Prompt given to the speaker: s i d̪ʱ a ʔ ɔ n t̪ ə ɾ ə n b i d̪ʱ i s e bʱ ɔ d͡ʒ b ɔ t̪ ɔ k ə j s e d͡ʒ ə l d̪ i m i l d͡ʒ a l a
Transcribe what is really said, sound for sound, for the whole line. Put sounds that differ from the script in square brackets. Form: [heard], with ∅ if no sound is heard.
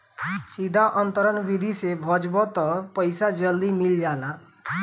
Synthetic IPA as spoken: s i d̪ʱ a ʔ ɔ n t̪ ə ɾ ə n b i d̪ʱ i s e bʱ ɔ d͡ʒ b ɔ t̪ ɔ [p] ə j s [a] d͡ʒ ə l d̪ i m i l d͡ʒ a l a